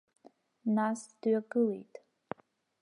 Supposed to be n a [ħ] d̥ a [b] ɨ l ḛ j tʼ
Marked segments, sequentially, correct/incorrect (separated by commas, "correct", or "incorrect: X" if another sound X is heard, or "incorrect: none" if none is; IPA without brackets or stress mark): incorrect: s, incorrect: ɡ